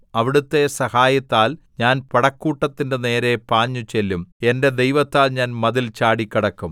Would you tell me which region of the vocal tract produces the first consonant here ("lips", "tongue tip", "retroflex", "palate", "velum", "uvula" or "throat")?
lips